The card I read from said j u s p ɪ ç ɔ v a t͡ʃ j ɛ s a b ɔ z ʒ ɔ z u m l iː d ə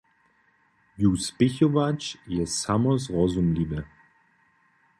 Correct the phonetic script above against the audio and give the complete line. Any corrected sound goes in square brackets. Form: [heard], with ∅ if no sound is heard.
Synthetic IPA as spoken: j u s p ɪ ç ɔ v a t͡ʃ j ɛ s a [m] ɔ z [ʁ] ɔ z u m l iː [b] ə